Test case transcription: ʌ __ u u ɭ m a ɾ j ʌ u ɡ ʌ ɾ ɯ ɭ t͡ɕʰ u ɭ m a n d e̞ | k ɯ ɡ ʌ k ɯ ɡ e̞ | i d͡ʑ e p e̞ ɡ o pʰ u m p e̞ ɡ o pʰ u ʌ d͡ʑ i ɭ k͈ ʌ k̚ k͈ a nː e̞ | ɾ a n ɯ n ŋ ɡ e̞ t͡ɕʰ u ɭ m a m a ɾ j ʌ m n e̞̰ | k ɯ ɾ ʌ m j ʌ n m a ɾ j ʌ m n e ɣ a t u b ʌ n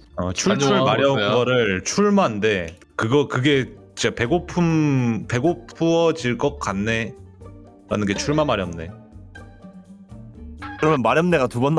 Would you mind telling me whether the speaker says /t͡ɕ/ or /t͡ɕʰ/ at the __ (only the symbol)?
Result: t͡ɕʰ